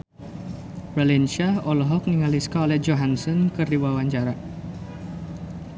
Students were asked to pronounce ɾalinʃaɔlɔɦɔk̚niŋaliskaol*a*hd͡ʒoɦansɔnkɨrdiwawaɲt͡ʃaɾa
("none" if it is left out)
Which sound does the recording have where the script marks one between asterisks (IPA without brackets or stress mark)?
ɛ